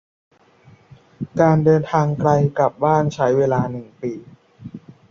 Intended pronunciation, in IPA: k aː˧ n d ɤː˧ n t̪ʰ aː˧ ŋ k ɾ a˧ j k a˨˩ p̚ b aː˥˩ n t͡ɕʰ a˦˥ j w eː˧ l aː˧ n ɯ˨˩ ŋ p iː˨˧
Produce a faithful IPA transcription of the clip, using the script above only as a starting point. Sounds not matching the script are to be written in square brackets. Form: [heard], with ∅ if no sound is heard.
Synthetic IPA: k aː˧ n d ɤː˧ n t̪ʰ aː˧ ŋ k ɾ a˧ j k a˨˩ p̚ b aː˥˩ n t͡ɕʰ a˦˥ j w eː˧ l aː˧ n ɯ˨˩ ŋ p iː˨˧